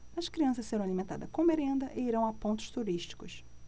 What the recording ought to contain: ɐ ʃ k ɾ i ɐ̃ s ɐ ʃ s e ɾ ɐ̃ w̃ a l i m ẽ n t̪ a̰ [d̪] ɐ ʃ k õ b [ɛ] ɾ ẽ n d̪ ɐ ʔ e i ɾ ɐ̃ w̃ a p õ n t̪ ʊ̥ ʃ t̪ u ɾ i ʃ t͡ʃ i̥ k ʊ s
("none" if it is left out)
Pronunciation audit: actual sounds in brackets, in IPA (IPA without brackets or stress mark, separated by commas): d̪, e